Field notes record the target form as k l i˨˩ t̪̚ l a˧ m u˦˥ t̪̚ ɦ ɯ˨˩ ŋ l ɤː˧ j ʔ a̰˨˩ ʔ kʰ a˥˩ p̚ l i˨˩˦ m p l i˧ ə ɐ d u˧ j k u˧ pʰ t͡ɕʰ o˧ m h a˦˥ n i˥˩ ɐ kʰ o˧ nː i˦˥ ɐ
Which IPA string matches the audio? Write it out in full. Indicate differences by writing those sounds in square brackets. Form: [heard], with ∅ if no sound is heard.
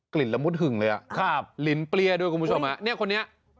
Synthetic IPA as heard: k l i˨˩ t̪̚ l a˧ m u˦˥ t̪̚ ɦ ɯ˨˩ ŋ l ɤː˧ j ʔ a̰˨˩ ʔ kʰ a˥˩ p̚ l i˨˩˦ [n] p l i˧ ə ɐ d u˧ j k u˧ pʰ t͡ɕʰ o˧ m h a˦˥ n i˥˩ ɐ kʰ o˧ nː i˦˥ ɐ